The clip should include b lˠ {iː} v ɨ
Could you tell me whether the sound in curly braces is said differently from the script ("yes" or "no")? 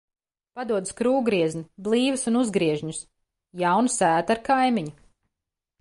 no